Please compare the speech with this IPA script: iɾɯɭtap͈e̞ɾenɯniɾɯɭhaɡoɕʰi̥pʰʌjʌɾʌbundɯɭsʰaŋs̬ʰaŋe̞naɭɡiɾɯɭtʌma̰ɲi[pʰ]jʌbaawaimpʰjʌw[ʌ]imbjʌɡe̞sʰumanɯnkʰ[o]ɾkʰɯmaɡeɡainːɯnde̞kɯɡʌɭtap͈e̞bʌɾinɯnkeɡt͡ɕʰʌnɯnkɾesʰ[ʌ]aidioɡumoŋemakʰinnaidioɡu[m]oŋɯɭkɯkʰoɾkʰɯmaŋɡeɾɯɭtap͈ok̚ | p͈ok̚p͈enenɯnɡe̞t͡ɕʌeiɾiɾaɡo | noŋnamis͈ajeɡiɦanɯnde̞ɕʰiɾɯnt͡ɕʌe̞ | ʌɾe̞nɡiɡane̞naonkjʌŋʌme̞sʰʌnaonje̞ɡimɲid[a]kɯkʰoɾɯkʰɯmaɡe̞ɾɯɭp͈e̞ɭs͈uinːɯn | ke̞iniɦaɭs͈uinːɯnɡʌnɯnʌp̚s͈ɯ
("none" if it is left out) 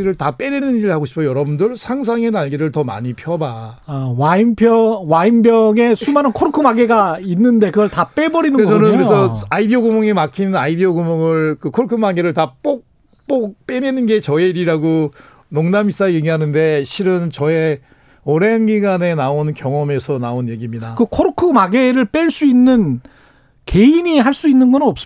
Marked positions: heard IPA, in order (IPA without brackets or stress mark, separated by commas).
pʰ, a, o, ʌ, m, a